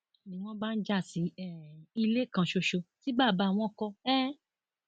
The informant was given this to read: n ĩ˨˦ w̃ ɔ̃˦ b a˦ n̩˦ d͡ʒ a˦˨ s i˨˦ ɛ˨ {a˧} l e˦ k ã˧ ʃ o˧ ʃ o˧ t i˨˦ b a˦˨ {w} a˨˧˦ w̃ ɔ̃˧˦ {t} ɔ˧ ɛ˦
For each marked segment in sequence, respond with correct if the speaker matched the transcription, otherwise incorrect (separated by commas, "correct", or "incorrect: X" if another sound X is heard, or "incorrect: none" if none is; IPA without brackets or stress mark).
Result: incorrect: i˧, incorrect: b, incorrect: k